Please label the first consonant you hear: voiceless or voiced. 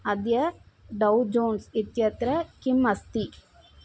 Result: voiced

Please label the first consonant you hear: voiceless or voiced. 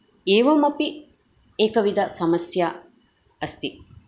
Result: voiced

